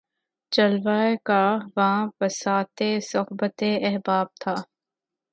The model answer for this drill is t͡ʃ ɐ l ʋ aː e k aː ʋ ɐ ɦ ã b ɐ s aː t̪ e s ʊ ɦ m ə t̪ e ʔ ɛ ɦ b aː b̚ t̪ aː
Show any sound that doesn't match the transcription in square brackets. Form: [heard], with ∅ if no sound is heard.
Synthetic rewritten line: t͡ʃ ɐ l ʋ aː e k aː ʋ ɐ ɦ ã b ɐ s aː t̪ e s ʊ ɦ [b] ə t̪ e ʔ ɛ ɦ b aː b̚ [t̪ʰ] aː